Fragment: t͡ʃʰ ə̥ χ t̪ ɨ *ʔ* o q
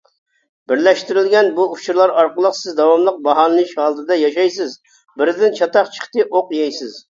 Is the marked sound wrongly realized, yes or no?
no